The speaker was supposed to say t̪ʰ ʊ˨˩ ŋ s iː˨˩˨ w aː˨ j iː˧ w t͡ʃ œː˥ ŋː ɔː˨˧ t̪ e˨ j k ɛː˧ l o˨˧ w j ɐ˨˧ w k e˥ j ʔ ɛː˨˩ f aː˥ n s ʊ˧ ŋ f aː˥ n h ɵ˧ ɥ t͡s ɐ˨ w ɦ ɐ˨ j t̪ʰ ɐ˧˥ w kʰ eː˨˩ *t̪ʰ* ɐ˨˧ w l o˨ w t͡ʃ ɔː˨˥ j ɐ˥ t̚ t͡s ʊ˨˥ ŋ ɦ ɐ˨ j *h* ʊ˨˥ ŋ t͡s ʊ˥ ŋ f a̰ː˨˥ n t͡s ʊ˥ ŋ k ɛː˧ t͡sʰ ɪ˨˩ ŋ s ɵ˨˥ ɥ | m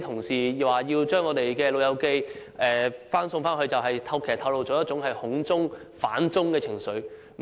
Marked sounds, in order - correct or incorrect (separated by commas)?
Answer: correct, correct